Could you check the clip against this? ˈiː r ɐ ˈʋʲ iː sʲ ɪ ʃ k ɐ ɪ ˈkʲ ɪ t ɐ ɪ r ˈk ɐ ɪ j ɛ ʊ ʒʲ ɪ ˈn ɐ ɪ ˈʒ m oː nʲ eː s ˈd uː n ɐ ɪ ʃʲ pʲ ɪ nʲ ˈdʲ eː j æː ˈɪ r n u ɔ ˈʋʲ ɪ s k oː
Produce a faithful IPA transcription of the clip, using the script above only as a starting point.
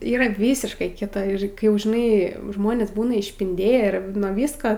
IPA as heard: ˈiː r ɐ ˈʋʲ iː sʲ ɪ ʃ k ɐ ɪ ˈkʲ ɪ t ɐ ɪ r ˈk ɐ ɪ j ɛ ʊ ʒʲ ɪ ˈn ɐ ɪ ˈʒ m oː nʲ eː s ˈb uː n ɐ ɪ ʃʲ pʲ ɪ nʲ ˈdʲ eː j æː ˈɪ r n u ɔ ˈʋʲ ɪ s k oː